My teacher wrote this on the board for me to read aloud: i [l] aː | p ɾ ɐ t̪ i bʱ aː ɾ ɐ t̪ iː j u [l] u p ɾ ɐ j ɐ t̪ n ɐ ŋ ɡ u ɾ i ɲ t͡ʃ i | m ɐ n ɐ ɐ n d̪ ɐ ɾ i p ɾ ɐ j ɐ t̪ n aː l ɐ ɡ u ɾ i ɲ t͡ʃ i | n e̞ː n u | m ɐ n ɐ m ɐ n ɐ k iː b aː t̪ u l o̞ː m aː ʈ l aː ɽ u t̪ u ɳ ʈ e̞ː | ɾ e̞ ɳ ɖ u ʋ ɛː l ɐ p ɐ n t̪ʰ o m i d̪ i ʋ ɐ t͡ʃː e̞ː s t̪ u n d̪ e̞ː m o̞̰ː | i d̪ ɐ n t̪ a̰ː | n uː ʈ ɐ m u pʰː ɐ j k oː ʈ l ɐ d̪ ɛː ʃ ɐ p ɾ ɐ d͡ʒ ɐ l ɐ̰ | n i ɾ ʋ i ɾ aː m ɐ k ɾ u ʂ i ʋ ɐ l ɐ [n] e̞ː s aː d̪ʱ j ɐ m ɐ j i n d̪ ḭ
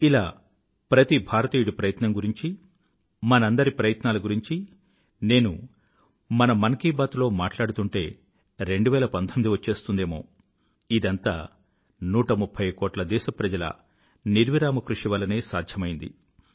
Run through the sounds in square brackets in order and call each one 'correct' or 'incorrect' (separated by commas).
correct, incorrect, correct